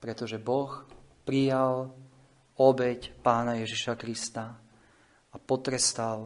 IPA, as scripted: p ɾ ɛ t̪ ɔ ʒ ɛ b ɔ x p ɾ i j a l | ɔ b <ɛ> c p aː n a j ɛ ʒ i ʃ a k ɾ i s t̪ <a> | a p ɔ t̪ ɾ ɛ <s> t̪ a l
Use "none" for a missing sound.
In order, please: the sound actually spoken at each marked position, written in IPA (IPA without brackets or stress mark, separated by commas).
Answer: ɛ, a, s